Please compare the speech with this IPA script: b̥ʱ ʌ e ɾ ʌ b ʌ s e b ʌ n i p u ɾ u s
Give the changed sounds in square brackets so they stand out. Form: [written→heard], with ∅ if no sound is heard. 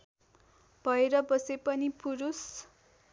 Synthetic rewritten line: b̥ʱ ʌ e ɾ ʌ b ʌ s e [b→p] ʌ n i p u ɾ u s